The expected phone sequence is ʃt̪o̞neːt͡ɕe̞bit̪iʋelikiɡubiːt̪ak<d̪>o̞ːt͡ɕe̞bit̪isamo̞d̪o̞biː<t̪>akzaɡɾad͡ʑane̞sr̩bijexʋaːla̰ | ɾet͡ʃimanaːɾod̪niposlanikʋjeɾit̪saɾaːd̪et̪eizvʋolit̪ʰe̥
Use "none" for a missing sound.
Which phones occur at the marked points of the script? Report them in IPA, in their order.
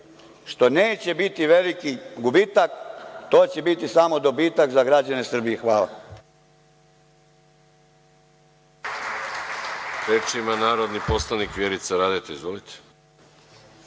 t̪, t̪

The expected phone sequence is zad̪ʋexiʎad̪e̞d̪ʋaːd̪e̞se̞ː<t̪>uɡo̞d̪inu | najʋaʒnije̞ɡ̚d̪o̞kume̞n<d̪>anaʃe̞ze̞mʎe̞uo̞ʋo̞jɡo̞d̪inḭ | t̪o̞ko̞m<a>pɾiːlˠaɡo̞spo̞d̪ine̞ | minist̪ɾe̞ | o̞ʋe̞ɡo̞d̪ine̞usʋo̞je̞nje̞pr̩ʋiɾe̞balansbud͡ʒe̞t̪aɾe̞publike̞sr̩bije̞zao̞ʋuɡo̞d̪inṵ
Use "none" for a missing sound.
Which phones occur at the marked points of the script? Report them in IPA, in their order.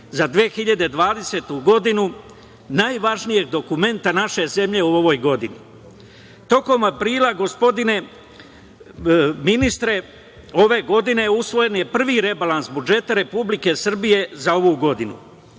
t̪, t̪, a

